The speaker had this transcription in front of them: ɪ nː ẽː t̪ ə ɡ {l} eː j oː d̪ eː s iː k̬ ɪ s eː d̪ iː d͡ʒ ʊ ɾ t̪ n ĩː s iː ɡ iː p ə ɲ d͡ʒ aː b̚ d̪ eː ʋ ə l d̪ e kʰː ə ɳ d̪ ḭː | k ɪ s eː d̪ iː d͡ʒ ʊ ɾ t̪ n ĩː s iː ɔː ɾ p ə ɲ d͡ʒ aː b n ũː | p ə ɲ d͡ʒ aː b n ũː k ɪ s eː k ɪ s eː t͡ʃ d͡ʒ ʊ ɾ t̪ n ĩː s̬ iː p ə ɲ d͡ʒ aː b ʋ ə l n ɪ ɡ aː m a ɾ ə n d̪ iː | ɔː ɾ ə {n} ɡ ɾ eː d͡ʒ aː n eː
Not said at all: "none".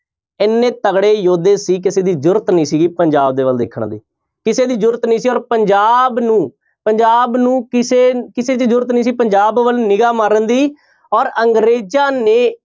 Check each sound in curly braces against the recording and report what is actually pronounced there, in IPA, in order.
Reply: ɽ, ŋ

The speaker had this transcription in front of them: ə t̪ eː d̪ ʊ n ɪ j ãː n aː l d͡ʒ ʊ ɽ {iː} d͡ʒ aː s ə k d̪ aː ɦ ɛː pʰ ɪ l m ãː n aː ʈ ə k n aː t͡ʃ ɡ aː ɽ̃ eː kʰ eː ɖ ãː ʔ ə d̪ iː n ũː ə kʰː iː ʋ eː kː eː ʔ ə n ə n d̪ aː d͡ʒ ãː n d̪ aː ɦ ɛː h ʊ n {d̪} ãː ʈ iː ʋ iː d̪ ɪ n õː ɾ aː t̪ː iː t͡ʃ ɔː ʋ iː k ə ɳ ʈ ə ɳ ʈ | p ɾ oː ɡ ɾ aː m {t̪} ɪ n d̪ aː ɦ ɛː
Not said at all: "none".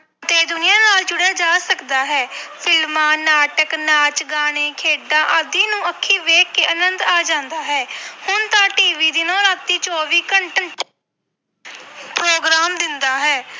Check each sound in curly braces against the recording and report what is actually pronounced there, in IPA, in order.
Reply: aː, t̪, d̪

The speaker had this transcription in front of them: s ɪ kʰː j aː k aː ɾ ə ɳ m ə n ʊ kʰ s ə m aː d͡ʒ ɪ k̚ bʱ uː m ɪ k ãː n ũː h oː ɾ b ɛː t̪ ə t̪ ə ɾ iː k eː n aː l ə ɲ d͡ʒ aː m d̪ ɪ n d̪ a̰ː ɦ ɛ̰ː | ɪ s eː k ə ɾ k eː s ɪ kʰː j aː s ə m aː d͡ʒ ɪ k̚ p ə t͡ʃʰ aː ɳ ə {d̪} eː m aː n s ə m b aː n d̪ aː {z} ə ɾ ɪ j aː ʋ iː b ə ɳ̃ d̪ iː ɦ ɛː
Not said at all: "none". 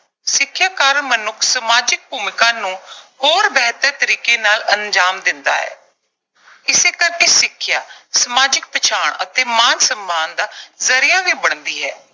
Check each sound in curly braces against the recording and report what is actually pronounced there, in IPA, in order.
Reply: t̪, z

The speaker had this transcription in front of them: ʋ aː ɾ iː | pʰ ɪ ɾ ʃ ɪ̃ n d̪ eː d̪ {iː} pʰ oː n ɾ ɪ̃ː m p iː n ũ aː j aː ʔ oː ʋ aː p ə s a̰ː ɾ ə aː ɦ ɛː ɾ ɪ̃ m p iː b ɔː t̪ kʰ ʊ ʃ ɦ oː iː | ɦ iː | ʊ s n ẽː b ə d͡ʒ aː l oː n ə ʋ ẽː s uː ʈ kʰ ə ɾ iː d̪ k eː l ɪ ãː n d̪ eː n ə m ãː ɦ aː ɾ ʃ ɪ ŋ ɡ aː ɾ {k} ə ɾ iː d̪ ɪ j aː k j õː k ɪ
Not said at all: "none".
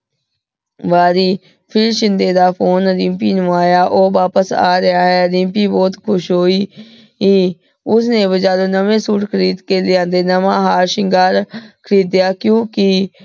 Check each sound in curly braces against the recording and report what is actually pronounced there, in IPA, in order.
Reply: aː, kʰ

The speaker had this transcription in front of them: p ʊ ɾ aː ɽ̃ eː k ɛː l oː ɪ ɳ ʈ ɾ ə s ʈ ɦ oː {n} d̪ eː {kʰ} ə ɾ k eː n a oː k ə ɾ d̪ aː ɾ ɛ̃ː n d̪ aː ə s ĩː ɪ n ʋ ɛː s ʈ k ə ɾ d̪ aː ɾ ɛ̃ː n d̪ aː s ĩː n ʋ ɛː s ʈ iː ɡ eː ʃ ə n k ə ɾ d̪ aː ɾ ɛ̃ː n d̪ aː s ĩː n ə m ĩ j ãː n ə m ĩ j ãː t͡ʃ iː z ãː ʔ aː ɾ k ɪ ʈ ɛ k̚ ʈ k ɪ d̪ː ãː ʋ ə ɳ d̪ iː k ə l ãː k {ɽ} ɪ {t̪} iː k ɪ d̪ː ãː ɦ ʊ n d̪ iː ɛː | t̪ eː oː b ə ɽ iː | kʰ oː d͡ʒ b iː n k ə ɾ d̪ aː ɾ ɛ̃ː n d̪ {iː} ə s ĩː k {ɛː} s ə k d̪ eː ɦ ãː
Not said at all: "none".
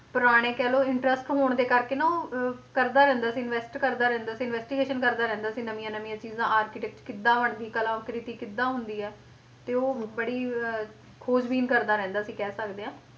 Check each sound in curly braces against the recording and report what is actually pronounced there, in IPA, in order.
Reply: ɳ, k, ɾ, t̪, aː, ɛː

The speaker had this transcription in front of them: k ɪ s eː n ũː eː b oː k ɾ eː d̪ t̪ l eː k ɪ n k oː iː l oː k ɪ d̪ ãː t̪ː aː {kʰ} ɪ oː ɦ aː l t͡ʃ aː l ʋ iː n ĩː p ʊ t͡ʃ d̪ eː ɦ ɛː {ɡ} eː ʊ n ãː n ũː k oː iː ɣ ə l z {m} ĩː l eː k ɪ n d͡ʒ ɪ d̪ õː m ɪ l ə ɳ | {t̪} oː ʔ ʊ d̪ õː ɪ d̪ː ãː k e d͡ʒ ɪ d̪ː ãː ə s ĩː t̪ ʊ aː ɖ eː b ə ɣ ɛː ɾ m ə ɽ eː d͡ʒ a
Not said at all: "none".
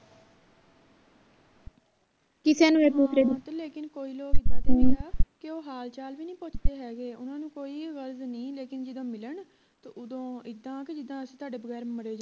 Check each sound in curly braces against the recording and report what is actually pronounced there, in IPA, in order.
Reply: k, ɡ, n, t̪

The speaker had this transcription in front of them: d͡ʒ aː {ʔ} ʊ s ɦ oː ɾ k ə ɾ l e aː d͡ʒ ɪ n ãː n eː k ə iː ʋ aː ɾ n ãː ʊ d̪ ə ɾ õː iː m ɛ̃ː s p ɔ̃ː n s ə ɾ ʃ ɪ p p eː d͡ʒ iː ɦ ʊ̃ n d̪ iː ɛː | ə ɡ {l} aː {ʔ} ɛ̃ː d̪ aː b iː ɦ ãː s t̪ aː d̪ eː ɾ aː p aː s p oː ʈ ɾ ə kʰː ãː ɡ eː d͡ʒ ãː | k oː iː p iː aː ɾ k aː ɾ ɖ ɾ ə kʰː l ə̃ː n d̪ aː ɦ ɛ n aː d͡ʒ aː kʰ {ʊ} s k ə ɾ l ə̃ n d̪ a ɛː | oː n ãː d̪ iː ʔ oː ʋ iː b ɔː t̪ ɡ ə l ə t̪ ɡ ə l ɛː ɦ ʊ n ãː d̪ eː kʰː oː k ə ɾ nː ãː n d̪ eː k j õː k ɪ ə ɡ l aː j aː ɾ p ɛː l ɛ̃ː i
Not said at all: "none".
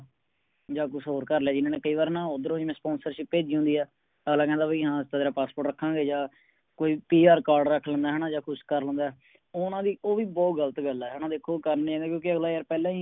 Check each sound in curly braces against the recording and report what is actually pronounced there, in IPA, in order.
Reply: k, l, k, ʊ

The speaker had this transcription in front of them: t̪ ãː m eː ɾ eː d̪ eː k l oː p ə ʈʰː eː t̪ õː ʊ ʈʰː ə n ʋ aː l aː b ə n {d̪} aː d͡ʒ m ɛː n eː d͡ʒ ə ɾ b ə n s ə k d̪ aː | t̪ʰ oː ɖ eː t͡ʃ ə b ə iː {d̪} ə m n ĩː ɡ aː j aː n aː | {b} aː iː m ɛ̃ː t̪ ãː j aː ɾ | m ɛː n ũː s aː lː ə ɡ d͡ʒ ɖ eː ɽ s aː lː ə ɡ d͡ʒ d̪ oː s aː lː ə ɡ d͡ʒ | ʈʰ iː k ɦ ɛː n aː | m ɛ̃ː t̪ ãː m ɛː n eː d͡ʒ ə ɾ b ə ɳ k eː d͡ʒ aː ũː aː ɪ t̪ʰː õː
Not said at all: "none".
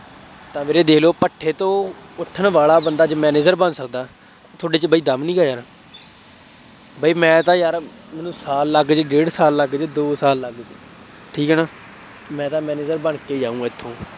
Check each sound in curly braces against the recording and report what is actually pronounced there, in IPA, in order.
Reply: d̪, d̪, b

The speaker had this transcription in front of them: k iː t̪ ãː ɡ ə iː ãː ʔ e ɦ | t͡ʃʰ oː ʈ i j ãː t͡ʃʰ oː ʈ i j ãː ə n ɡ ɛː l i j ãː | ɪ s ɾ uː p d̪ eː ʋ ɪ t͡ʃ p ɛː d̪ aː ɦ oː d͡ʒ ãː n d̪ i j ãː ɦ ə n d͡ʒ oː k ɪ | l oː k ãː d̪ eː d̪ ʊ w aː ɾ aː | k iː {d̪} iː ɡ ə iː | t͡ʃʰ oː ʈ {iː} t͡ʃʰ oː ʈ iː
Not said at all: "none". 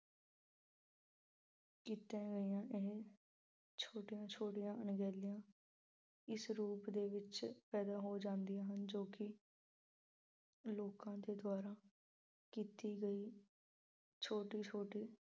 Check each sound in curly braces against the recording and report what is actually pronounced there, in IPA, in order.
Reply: t̪, iː

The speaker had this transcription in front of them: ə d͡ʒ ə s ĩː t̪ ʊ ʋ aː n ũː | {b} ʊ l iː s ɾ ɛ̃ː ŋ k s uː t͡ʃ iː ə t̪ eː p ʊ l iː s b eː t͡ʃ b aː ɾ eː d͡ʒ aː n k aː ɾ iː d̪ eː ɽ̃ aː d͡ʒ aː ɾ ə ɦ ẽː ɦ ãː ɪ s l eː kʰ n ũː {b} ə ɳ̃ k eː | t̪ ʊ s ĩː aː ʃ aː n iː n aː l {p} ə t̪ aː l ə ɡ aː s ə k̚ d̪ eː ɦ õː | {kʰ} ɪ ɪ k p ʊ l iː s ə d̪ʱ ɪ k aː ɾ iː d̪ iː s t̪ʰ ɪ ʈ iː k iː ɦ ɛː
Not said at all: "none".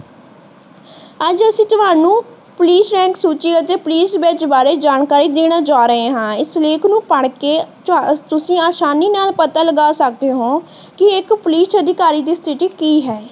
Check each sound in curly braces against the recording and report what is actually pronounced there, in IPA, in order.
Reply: p, p, p, k

